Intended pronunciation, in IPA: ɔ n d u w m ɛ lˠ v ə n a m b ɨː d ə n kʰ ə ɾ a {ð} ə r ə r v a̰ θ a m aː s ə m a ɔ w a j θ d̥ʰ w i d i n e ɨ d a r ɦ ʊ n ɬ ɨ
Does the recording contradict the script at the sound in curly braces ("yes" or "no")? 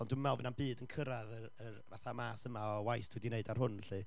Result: no